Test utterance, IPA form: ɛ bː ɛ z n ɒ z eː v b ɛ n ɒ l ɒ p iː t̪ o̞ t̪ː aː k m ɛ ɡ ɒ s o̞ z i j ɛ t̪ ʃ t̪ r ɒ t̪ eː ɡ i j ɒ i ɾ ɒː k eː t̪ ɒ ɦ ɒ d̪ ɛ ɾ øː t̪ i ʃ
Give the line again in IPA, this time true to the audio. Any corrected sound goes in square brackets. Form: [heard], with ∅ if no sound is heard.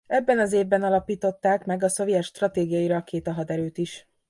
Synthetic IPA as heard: ɛ bː ɛ [∅] n ɒ z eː v b ɛ n ɒ l ɒ p iː t̪ o̞ t̪ː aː k m ɛ ɡ ɒ s o̞ [v] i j ɛ t̪ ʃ t̪ r ɒ t̪ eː ɡ i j ɒ i ɾ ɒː k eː t̪ ɒ ɦ ɒ d̪ ɛ ɾ øː t̪ i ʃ